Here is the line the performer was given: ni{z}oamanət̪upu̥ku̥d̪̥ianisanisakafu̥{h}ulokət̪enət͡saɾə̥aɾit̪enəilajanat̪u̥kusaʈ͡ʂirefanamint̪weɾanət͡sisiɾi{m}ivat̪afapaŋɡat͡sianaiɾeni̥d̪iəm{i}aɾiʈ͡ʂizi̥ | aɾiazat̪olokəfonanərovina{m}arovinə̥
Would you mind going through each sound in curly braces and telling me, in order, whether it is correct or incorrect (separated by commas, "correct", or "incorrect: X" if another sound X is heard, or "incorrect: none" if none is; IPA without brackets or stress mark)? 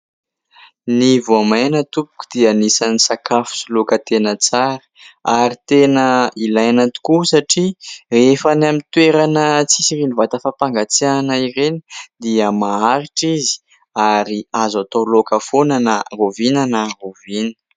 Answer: incorrect: v, incorrect: s, incorrect: n, incorrect: a, incorrect: n